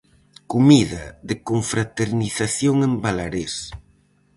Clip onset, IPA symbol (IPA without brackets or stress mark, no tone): k